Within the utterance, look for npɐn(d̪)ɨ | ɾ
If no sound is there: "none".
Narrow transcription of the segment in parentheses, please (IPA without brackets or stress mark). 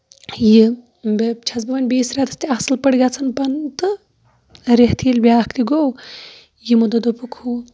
t̪